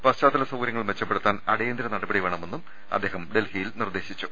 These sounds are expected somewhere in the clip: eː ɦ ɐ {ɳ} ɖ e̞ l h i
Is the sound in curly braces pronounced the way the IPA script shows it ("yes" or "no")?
no